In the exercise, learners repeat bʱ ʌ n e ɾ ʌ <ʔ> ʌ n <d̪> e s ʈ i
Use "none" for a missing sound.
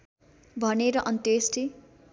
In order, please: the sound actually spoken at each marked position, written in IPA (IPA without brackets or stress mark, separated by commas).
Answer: ʔ, t̪